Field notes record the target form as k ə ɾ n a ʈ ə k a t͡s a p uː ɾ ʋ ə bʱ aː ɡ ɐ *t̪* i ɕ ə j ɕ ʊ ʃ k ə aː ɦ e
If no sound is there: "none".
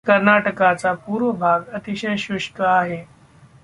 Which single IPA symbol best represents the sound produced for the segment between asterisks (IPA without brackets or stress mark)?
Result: t̪